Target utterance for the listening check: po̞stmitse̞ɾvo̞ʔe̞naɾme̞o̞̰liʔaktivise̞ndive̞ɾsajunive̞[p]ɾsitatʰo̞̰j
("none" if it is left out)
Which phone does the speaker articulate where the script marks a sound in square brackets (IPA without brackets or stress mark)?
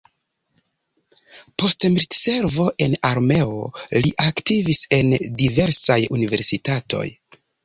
none